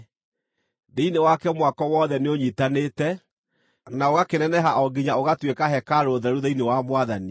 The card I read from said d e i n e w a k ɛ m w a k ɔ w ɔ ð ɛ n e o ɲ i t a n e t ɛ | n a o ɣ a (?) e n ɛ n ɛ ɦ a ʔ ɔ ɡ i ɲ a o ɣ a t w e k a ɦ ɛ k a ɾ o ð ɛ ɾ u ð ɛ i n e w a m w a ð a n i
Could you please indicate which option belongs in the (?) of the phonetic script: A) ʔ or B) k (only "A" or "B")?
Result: B